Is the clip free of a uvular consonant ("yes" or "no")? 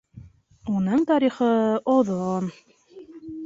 no